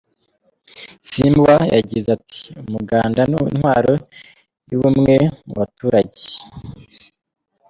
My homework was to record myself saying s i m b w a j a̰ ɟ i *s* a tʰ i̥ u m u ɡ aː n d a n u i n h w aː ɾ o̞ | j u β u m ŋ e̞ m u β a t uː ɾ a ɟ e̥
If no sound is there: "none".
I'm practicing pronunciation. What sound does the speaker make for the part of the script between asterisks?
z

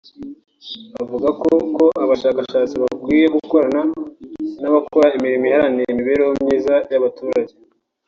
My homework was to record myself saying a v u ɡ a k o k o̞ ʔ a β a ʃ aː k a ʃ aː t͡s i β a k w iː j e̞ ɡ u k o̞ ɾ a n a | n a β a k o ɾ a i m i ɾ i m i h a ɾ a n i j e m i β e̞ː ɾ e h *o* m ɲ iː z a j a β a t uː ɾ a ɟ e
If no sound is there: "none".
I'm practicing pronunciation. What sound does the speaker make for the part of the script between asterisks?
o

